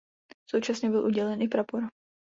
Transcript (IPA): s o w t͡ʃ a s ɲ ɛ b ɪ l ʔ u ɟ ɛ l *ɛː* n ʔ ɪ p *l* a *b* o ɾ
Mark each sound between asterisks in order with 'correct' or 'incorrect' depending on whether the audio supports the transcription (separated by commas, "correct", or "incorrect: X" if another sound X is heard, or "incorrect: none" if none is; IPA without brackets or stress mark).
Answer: incorrect: ɛ, incorrect: ɾ, incorrect: p